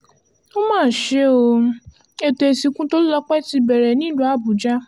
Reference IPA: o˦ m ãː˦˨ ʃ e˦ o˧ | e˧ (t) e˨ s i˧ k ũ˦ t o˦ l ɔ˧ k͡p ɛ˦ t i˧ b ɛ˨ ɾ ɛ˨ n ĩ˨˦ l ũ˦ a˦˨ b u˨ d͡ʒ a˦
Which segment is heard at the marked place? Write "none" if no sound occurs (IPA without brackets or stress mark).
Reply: t